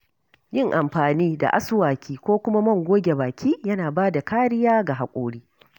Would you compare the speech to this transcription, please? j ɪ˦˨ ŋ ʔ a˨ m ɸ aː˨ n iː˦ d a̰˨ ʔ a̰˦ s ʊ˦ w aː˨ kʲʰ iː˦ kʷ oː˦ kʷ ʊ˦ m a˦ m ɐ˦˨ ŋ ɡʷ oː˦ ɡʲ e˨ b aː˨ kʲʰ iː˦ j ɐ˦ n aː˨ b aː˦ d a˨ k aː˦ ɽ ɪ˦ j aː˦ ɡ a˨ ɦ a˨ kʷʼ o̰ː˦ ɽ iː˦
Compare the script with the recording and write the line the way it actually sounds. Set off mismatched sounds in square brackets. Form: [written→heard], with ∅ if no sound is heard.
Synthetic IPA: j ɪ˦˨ ŋ ʔ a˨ m ɸ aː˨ n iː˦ d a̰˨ ʔ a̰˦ s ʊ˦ w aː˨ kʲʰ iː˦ kʷ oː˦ kʷ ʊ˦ m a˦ m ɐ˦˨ ŋ ɡʷ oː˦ ɡʲ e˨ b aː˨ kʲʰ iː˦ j ɐ˦ n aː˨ b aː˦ d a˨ k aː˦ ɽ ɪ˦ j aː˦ ɡ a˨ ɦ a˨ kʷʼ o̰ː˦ ɽ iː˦

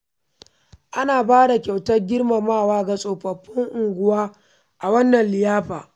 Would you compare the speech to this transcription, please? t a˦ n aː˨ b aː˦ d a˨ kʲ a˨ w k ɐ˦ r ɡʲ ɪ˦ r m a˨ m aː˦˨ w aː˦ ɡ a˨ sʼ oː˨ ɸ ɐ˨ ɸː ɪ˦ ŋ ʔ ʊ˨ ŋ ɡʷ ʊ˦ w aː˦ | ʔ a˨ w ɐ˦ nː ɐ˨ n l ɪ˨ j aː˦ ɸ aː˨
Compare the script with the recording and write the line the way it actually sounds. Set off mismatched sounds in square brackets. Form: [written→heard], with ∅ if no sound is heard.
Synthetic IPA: [t→ʔ] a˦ n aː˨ b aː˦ d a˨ kʲ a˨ w [k→t] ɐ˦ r ɡʲ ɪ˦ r m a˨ m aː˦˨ w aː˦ ɡ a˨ sʼ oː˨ ɸ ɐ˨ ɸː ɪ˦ ŋ ʔ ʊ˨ ŋ ɡʷ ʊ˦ w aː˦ | ʔ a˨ w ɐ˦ nː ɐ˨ n l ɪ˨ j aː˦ ɸ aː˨

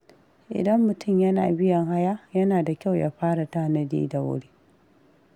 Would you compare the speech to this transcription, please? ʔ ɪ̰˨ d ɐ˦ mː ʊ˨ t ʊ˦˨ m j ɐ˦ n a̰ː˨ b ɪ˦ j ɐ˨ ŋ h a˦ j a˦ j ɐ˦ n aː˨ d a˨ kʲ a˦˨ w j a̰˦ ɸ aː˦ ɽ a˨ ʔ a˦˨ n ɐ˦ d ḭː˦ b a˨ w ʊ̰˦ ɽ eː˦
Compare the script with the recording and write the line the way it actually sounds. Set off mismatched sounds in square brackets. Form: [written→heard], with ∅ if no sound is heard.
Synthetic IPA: ʔ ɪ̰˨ d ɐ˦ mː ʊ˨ t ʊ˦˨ m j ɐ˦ n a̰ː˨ b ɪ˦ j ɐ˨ ŋ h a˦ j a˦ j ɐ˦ n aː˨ d a˨ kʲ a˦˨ w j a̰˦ ɸ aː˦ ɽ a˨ [ʔ→t] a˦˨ n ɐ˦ d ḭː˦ [b→d] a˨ w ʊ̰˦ ɽ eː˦

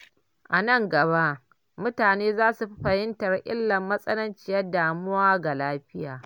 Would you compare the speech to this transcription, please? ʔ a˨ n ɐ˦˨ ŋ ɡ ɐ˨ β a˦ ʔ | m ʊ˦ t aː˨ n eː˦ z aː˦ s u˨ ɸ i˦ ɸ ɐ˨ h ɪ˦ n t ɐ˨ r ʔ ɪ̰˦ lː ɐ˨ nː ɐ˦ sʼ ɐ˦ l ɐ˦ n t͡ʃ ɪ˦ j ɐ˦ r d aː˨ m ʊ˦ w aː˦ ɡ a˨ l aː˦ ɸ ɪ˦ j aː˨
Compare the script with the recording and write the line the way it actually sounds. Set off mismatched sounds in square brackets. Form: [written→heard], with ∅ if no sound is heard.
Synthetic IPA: ʔ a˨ n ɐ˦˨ ŋ ɡ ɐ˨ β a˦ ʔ | m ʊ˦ t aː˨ n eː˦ z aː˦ s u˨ ɸ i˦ ɸ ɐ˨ h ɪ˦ n t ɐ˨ r ʔ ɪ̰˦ lː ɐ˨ [nː→mː] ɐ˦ sʼ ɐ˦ l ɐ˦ n t͡ʃ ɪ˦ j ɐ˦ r d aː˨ m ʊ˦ w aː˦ ɡ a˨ l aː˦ ɸ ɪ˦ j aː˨

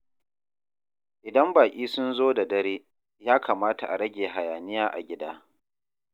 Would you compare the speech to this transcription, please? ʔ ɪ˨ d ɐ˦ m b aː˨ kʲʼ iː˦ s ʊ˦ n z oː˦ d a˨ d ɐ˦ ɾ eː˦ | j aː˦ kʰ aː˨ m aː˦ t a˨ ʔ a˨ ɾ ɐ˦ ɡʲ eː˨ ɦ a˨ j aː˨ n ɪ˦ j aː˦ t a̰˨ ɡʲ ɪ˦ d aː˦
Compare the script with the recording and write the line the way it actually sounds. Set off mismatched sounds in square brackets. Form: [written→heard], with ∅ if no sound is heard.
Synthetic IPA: ʔ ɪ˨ d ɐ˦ m b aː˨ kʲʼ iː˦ s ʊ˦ n z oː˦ d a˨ d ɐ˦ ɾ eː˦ | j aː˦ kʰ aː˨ m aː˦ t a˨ ʔ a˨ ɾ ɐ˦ ɡʲ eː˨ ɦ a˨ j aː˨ n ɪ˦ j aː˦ [t→ʔ] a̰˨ ɡʲ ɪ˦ d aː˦

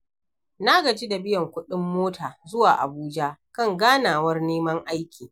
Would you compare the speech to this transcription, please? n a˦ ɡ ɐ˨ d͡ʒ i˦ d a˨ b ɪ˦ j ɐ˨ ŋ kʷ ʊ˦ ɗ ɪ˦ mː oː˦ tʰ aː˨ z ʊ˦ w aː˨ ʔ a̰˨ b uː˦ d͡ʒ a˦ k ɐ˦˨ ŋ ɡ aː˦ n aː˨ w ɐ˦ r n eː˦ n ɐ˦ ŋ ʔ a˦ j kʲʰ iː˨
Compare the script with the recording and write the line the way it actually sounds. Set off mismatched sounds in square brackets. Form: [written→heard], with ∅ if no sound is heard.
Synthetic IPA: n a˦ ɡ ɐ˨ d͡ʒ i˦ d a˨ b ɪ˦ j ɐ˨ ŋ kʷ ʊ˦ ɗ ɪ˦ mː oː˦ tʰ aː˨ z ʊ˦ w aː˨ ʔ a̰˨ b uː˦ d͡ʒ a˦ k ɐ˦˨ ŋ ɡ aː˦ n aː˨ w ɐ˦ r n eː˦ [n→m] ɐ˦ ŋ ʔ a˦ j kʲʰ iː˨

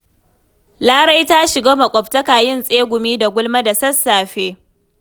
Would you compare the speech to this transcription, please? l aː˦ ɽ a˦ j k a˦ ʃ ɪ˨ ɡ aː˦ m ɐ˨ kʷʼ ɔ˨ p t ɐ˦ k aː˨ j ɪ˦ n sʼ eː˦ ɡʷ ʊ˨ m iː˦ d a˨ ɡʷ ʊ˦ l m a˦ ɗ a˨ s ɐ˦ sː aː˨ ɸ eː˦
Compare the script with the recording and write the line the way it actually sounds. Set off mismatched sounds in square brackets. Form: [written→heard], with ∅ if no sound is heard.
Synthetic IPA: l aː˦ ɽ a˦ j [k→t] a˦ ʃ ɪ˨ ɡ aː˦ m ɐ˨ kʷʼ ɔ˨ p t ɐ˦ k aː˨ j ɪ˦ n sʼ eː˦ ɡʷ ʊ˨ m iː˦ d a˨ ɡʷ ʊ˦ l m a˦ [ɗ→d] a˨ s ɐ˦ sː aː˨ ɸ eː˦

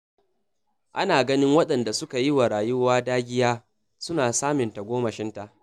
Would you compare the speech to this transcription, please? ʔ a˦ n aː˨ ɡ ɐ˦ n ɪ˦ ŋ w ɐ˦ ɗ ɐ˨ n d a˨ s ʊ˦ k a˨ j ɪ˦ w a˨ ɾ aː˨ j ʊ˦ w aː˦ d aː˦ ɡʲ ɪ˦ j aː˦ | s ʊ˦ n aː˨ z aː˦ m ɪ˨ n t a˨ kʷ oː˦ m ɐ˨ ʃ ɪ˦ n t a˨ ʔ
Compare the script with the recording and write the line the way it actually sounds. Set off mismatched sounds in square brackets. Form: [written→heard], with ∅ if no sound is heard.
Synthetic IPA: ʔ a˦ n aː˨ ɡ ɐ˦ n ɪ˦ ŋ w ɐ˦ ɗ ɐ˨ n d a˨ s ʊ˦ k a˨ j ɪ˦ w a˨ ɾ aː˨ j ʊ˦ w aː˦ d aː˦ ɡʲ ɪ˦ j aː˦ | s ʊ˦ n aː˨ [z→s] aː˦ m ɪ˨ n t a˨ [kʷ→ɡʷ] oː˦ m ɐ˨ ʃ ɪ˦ n t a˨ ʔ

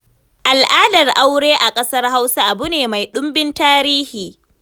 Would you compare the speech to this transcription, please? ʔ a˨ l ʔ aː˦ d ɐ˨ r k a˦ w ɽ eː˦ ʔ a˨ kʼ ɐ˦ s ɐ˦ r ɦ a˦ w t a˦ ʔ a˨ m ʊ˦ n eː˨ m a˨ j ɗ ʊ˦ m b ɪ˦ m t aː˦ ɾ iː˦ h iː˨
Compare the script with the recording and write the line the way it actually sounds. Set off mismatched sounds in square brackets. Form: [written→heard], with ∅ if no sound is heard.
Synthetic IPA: ʔ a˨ l ʔ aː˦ d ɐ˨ r [k→ʔ] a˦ w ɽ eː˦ ʔ a˨ kʼ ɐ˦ s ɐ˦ r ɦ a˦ w [t→s] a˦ ʔ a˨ [m→b] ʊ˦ n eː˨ m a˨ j ɗ ʊ˦ m b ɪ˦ [m→n] t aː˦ ɾ iː˦ h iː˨

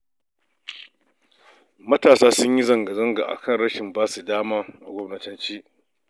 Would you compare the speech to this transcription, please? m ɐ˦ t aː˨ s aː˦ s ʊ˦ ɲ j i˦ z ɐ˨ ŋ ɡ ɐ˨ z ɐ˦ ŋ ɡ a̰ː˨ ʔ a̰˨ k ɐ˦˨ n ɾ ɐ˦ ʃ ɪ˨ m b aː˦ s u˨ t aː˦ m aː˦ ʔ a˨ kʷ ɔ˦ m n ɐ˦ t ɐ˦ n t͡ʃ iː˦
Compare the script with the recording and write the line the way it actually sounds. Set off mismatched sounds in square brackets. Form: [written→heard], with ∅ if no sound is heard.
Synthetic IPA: m ɐ˦ t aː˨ s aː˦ s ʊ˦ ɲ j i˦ z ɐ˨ ŋ ɡ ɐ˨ z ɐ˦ ŋ ɡ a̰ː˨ ʔ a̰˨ k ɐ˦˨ n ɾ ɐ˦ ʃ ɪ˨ m b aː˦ s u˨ [t→d] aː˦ m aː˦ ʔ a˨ [kʷ→ɡʷ] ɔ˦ m n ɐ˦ t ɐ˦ n t͡ʃ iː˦

